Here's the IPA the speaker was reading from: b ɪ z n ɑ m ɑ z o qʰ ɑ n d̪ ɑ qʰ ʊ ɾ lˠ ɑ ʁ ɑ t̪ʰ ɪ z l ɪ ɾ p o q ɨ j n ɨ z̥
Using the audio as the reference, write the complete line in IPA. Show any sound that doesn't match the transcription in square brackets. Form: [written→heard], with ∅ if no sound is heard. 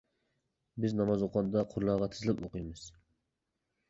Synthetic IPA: b ɪ z n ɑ m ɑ z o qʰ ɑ n d̪ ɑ qʰ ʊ ɾ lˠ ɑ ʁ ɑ t̪ʰ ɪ z l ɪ [ɾ→∅] p o q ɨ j [n→m] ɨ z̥